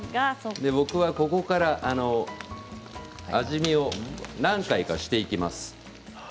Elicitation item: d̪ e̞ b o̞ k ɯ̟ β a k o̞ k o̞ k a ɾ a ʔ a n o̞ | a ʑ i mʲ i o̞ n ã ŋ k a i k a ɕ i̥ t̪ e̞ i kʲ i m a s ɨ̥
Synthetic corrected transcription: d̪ e̞ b o̞ k ɯ̟ β a k o̞ k o̞ k a ɾ a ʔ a n o̞ | a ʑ i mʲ i o̞ n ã ŋ k a i k a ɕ i̥ t̪ e̞ i kʲ i m a s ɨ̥